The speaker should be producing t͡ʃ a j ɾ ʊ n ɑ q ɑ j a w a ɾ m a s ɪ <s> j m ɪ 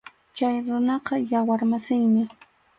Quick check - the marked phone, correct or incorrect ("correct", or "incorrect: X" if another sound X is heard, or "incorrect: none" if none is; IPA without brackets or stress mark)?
incorrect: none